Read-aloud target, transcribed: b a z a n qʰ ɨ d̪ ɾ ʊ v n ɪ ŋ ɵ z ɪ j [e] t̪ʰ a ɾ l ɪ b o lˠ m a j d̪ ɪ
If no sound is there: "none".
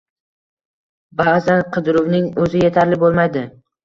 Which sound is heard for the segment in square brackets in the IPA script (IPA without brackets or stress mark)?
e